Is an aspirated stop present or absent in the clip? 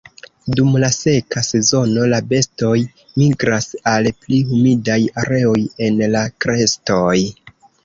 absent